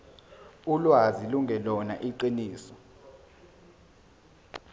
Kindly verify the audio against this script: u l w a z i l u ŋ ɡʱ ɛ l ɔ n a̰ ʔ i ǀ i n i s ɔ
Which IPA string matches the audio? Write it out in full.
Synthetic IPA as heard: u l w a z i l u ŋ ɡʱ ɛ l ɔ n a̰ ʔ i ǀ i n iː s ɔ